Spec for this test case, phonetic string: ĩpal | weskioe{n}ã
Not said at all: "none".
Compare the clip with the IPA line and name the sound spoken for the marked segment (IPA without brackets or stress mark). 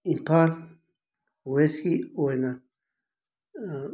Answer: n